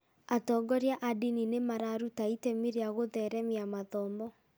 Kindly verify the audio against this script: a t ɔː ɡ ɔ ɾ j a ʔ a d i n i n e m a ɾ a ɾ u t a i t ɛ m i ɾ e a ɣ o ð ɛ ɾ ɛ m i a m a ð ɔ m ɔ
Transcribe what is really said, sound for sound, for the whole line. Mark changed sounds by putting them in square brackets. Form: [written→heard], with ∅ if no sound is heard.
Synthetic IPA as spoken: a t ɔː ɡ ɔ ɾ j a ʔ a d i n i n e m a ɾ a ɾ u t a i t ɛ m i ɾ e a ɣ o ð ɛ ɾ ɛ m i a m a ð ɔ m ɔ